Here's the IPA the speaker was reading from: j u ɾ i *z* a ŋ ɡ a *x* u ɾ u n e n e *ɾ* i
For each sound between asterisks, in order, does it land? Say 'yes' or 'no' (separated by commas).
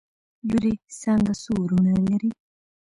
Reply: no, no, yes